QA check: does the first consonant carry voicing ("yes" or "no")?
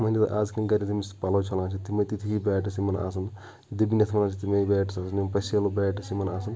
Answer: yes